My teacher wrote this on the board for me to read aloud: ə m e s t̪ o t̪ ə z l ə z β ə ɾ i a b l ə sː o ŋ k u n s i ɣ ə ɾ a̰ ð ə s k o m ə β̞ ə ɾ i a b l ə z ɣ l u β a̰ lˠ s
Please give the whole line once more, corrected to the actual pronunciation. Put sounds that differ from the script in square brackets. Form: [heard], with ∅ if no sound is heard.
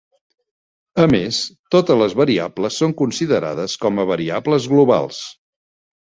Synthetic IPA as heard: ə m e s t̪ o t̪ ə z l ə z β ə ɾ i a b l ə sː o ŋ k u n s i [ð] ə ɾ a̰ ð ə s k [ɔ] m ə β̞ ə ɾ i a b l ə z ɣ l u β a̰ lˠ s